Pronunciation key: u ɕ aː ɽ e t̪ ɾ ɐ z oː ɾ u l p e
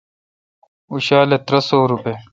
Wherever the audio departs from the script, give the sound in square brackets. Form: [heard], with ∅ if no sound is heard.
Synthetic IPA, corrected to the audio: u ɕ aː [l] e t̪ ɾ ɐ [s] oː ɾ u [∅] p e